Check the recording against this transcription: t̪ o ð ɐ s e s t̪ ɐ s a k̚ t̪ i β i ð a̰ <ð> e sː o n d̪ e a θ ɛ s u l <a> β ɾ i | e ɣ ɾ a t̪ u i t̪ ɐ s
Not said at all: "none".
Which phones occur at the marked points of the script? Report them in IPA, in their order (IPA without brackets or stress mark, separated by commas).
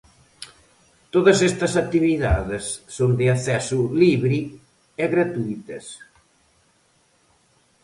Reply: ð, i